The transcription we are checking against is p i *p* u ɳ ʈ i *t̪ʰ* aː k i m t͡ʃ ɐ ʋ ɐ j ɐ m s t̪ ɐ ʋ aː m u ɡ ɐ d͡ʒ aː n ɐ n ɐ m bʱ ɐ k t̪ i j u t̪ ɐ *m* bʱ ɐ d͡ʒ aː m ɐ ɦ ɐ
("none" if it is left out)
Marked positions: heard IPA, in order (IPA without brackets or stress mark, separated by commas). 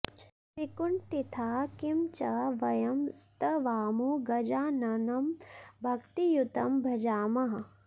k, t̪ʰ, m